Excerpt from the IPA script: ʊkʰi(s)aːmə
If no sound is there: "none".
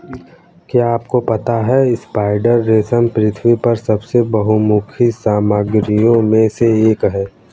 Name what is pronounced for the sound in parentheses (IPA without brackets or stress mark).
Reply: s